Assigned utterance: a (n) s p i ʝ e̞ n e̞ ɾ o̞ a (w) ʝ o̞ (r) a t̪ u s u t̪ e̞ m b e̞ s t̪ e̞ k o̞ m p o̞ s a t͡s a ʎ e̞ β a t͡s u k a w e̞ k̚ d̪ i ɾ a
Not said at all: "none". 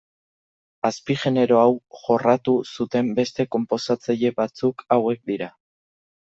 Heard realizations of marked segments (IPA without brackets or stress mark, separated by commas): none, w, r